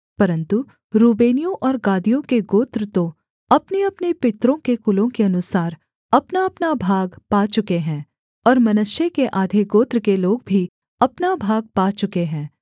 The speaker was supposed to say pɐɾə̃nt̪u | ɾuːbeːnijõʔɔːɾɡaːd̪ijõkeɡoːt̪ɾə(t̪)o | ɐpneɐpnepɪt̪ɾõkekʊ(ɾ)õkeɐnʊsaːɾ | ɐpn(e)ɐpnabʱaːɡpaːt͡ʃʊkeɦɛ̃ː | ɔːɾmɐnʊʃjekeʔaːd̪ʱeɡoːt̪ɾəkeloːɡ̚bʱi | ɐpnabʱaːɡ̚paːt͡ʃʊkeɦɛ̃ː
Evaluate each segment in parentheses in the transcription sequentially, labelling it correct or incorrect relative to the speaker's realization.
correct, incorrect: l, incorrect: a

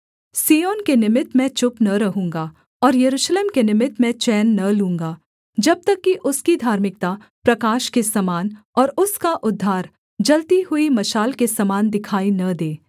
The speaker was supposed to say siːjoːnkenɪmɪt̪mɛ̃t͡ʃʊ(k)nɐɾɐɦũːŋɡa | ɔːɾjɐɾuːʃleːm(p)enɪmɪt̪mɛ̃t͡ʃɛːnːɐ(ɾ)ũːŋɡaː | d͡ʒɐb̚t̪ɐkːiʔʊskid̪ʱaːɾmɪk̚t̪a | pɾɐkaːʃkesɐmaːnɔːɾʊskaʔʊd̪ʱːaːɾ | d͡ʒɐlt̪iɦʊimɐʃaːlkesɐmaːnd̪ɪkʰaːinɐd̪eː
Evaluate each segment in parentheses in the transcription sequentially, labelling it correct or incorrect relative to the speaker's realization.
incorrect: p, incorrect: k, incorrect: l

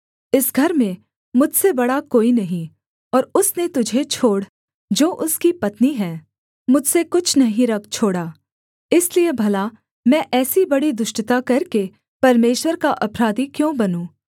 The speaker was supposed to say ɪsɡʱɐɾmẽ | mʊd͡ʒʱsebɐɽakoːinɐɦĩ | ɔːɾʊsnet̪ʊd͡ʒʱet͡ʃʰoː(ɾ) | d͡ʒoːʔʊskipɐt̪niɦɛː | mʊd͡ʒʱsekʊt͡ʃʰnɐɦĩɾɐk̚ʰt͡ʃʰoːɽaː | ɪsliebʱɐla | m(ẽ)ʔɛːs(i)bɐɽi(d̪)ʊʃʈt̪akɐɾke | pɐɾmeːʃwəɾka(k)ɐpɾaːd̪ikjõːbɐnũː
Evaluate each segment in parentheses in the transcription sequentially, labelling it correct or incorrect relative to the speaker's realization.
incorrect: ɽ, incorrect: ɛ̃, correct, correct, incorrect: ʔ

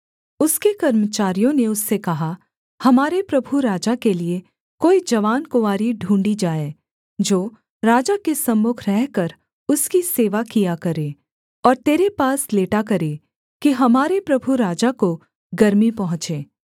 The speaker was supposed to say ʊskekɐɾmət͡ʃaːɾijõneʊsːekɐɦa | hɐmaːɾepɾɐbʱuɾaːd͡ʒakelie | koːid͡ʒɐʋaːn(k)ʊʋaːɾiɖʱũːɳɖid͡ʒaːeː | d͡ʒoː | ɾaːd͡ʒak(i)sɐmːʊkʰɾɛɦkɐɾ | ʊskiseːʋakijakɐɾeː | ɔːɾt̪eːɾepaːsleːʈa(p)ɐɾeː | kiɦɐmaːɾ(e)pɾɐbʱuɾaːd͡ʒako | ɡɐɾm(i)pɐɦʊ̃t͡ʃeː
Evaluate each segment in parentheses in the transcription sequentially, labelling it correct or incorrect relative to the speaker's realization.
correct, incorrect: e, incorrect: k, correct, correct

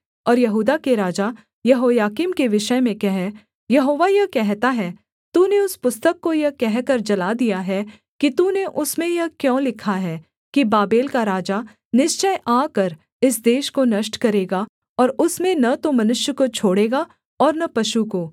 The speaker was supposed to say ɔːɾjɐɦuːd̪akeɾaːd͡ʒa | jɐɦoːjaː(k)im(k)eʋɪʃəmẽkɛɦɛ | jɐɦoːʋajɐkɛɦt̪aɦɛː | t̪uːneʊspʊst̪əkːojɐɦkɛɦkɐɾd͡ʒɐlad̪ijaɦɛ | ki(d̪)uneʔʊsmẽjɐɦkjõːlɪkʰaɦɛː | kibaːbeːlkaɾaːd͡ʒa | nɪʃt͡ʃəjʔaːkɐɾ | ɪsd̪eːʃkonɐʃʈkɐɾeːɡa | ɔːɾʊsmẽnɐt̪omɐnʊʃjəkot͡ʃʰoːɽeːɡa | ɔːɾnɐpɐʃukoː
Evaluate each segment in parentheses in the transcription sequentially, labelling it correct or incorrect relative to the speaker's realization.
correct, correct, incorrect: t̪

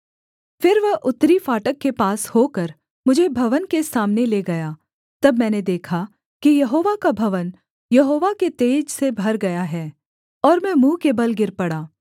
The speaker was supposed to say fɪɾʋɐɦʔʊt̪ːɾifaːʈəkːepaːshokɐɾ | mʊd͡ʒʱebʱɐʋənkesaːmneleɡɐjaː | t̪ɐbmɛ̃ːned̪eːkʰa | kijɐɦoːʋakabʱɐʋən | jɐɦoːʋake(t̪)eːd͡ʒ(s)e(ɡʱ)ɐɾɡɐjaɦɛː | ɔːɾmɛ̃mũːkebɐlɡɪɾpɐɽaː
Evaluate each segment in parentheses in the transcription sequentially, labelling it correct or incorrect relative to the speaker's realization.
correct, correct, incorrect: bʱ

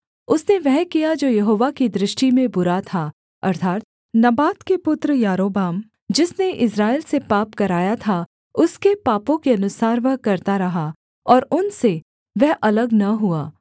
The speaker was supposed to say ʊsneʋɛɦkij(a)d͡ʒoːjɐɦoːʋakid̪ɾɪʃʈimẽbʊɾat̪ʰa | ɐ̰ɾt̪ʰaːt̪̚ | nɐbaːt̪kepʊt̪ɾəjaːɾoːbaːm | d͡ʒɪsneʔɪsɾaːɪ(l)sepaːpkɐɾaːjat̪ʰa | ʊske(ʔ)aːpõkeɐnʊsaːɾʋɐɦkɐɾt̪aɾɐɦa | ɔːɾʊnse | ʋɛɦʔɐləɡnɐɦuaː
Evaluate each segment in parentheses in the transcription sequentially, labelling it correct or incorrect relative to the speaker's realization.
correct, correct, incorrect: p

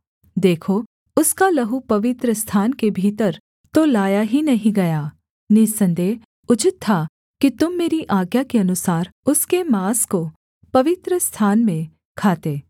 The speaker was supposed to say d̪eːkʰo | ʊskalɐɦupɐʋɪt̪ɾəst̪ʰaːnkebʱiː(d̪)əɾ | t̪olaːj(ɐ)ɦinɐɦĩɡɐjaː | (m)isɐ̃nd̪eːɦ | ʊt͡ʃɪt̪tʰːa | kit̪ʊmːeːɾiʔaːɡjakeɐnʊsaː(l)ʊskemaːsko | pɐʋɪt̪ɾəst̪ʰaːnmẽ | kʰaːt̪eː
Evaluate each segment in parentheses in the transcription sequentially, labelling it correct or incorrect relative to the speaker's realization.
incorrect: t̪, incorrect: a, incorrect: n, incorrect: ɾ

